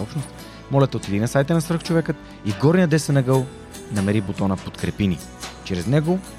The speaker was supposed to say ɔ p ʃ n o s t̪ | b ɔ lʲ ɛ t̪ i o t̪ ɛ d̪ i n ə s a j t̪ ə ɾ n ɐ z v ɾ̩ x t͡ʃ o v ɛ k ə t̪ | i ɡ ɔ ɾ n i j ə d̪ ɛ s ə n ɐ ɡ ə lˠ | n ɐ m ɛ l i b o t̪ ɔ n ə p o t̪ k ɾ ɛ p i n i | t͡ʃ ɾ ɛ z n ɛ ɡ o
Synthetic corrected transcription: ɔ p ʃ n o s t̪ | m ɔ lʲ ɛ t̪ ɛ o t̪ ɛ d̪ i n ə s a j t̪ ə n ɐ s v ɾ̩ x t͡ʃ o v ɛ k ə t̪ | i ɡ ɔ ɾ n i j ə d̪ ɛ s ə n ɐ ɡ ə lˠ | n ɐ m ɛ ɾ i b o t̪ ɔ n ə p o t̪ k ɾ ɛ p i n i | t͡ʃ ɾ ɛ z n ɛ ɡ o